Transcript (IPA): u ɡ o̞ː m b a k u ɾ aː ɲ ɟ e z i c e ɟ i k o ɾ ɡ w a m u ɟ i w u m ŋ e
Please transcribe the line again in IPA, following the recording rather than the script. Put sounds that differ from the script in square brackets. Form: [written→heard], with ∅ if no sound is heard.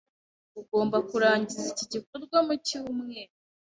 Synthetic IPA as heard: u ɡ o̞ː m b a k u ɾ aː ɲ ɟ [e→i] z i c [e→i] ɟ i k o ɾ ɡ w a m u [ɟ→c] i w u m ŋ e